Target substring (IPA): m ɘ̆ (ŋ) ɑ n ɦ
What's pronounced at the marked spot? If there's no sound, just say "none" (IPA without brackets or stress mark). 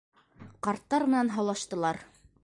n